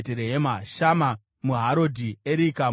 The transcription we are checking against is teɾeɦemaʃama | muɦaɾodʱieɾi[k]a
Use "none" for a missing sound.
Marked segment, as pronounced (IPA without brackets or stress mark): k